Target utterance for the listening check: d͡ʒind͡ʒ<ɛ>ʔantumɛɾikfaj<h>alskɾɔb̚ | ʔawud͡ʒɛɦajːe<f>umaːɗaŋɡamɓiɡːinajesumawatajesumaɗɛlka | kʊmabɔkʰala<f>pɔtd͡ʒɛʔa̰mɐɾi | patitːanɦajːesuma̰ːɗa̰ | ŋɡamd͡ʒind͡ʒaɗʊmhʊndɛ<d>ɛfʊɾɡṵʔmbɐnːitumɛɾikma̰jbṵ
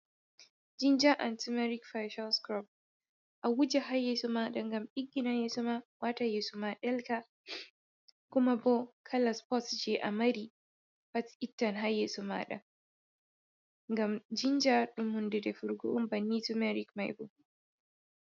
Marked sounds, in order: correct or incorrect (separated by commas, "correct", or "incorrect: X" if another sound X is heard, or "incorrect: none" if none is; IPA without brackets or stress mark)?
incorrect: a, incorrect: ʃ, incorrect: s, incorrect: s, correct